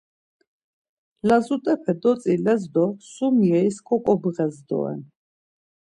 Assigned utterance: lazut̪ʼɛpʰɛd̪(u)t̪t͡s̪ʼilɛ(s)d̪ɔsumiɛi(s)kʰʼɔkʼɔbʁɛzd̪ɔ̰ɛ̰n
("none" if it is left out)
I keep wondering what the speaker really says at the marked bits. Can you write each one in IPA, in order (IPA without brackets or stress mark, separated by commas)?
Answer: ɔ, z, s